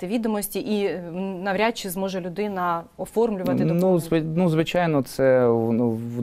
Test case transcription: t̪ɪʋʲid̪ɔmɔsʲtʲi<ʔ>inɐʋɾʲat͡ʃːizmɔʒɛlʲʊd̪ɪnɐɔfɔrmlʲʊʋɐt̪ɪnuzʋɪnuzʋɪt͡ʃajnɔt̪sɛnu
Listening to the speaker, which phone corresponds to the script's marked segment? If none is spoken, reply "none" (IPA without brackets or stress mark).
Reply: ʔ